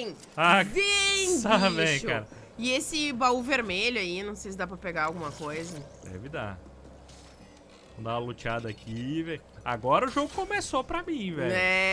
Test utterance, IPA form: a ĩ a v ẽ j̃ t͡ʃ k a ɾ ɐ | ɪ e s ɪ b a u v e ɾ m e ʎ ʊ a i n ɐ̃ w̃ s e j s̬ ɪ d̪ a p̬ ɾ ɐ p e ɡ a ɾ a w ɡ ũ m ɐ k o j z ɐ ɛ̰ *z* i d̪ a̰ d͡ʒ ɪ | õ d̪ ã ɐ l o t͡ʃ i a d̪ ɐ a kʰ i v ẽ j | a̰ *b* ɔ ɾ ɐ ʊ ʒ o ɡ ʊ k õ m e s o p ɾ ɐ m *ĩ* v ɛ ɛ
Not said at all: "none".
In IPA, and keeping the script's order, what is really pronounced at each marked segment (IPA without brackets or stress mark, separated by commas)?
v, ɡ, ĩ